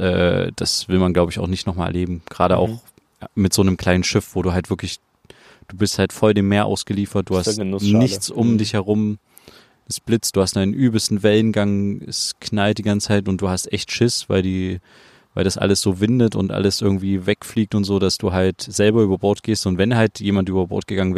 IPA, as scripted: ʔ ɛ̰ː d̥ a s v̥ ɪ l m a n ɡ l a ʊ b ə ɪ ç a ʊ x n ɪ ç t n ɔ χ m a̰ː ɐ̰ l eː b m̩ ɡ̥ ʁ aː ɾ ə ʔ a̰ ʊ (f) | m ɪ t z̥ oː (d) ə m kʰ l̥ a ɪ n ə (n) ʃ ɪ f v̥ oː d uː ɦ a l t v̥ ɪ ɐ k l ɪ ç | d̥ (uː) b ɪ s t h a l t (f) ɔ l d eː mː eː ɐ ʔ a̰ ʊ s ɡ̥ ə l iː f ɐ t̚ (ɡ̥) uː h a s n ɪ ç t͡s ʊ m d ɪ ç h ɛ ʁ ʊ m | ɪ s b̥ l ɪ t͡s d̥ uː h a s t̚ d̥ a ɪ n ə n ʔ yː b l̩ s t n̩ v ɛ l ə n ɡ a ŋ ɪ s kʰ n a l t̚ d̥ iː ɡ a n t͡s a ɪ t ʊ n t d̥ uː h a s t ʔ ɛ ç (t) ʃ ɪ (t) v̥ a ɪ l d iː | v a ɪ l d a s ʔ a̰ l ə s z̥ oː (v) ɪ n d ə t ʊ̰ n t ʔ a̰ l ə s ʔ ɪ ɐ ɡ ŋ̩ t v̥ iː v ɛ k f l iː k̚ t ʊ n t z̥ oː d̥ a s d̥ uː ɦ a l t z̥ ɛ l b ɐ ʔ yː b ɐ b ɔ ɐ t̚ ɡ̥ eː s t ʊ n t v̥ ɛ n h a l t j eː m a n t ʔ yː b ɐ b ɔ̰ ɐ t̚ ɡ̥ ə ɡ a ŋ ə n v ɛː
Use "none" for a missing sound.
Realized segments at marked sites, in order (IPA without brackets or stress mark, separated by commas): x, n, n, uː, f, d̥, t, s, v